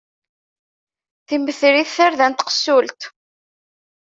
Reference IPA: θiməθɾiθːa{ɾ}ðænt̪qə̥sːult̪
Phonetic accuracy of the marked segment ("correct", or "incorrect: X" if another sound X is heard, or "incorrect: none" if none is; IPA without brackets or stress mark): correct